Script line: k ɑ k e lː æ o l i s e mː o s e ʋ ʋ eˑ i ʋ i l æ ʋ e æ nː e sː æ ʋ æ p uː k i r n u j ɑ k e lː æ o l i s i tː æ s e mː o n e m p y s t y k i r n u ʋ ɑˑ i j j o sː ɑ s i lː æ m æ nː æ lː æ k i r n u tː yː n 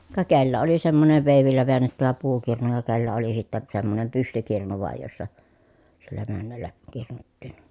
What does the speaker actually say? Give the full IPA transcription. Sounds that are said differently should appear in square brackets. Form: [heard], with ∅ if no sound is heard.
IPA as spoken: k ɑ k e lː æ o l i s e mː o s e ʋ ʋ eˑ i ʋ i [lː] æ ʋ e æ nː e [tː] æ ʋ æ p uː k i r n u j ɑ k e lː æ o l i s i tː æ s e mː o n e m p y s t y k i r n u ʋ ɑˑ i j j o sː ɑ s i lː æ m æ nː æ lː æ k i r n u tː [iː] n